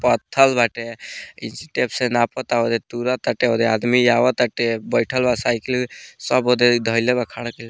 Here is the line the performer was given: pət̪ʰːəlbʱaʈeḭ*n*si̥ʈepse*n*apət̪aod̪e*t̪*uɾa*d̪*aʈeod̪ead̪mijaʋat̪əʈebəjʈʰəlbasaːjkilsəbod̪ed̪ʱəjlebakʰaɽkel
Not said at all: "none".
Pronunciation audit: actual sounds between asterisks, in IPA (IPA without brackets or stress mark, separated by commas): n, n, t̪, t̪